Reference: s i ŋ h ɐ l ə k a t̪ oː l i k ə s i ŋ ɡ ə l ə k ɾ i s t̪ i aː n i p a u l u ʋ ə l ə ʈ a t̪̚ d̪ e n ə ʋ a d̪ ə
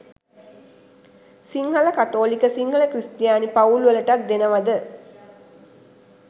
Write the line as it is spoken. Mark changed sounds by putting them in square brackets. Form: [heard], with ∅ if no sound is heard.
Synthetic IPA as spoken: s i ŋ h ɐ l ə k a t̪ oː l i k ə s i ŋ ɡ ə l ə k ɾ i s t̪ [j] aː n i p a u l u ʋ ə l ə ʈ a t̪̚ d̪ e n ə ʋ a d̪ ə

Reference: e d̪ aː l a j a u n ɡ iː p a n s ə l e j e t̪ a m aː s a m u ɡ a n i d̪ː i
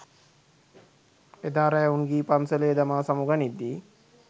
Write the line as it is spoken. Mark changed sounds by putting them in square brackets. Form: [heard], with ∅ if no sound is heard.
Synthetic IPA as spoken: e d̪ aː [ɾ] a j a u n ɡ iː p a n s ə l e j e [d̪] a m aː s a m u ɡ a n i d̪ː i

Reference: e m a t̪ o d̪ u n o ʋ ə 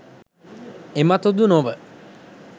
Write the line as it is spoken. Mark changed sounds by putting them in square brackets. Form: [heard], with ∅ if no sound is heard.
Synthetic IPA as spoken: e m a t̪ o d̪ u n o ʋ ə

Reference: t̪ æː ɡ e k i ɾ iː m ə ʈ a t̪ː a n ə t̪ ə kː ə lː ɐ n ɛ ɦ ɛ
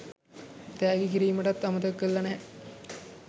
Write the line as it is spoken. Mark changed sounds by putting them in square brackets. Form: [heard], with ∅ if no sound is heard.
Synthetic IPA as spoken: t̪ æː ɡ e k i ɾ iː m ə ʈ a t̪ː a [m] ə t̪ ə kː ə lː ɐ n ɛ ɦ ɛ

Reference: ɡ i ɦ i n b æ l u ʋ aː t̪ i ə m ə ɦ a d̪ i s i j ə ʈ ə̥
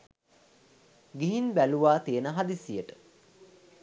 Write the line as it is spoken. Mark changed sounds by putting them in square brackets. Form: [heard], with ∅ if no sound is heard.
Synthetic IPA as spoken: ɡ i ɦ i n b æ l u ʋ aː t̪ i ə [n] ə ɦ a d̪ i s i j ə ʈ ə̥

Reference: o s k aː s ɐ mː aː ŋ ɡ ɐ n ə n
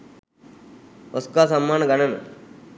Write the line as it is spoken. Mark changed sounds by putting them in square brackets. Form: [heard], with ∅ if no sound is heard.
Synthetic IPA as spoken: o s k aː s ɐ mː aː [n] ɡ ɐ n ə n

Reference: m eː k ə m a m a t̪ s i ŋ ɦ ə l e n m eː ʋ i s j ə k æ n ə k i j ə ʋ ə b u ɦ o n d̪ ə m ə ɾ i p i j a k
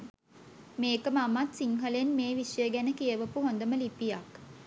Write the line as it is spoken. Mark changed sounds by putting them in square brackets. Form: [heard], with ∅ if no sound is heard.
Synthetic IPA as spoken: m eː k ə m a m a t̪ s i ŋ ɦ ə l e n m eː ʋ i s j ə [ɡ] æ n ə k i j ə ʋ ə [p] u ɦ o n d̪ ə m ə [l] i p i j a k

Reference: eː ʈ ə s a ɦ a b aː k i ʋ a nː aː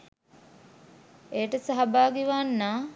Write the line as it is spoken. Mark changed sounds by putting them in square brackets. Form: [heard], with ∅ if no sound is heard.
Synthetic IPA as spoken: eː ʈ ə s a ɦ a b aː [ɡ] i ʋ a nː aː

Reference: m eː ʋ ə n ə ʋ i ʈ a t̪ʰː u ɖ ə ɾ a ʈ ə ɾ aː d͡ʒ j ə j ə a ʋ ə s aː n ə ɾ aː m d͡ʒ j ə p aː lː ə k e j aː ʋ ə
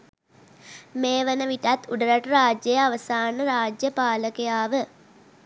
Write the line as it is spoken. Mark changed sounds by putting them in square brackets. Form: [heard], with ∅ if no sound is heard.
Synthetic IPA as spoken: m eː ʋ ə n ə ʋ i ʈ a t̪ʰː u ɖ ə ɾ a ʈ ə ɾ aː d͡ʒ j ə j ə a ʋ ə s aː n ə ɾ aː [∅] d͡ʒ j ə p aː [l] ə k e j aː ʋ ə

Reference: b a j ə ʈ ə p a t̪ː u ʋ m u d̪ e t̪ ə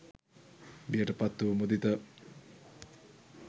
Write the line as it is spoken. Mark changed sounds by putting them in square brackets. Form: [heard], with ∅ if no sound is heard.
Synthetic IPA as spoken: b [i] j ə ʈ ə p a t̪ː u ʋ m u d̪ [i] t̪ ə

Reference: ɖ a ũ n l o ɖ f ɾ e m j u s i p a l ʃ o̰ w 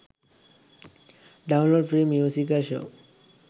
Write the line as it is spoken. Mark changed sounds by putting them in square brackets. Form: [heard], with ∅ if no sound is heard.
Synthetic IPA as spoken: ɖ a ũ n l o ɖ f ɾ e m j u s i [k] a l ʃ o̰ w

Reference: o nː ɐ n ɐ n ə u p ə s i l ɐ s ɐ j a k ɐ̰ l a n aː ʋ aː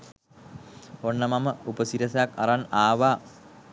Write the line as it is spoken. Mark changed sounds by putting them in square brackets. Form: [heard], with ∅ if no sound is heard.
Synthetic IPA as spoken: o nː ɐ [m] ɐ [m] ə u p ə s i [ɾ] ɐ s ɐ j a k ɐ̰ [ɾ] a n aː ʋ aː

